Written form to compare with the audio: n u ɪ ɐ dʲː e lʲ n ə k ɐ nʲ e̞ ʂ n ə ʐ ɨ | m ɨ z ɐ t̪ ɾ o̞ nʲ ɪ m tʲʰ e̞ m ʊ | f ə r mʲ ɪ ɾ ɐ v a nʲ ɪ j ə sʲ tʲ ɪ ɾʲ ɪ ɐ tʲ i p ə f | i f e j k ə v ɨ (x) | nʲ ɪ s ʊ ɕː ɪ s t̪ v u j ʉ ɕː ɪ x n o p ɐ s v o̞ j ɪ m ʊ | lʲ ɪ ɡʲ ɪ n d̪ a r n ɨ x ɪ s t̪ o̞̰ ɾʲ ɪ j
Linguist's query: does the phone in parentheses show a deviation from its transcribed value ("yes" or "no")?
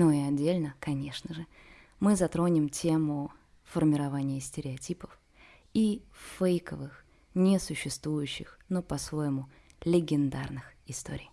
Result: no